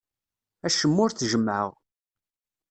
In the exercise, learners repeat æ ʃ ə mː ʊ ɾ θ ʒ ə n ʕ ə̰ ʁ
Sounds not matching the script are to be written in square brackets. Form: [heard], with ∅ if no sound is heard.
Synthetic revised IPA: æ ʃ ə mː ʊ ɾ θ ʒ ə [m] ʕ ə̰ ʁ